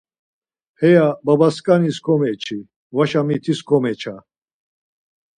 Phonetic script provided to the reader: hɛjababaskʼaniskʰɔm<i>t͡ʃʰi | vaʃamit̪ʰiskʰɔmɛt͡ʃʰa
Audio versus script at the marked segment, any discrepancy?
yes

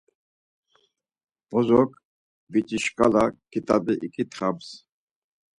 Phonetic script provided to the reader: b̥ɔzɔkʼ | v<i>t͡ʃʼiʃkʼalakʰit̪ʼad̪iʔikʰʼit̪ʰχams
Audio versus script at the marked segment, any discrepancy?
no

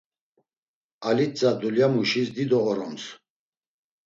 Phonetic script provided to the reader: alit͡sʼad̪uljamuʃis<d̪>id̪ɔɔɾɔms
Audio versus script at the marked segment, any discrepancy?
no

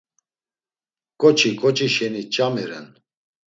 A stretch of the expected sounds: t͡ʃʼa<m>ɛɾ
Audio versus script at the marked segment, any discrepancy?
no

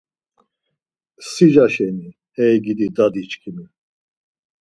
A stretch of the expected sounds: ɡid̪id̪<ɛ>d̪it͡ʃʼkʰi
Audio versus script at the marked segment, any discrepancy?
yes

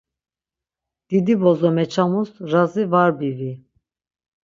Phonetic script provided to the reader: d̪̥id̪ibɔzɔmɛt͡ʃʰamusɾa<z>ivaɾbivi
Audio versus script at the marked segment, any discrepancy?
no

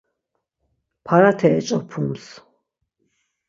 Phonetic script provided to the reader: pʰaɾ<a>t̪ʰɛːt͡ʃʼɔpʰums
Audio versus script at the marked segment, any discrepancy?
no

